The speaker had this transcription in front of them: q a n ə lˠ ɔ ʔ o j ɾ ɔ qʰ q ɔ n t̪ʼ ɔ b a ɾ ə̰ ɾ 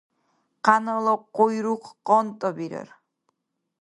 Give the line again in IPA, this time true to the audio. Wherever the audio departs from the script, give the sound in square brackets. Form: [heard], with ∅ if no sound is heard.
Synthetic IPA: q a n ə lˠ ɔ [q] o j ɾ [u] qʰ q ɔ n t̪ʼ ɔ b [i] ɾ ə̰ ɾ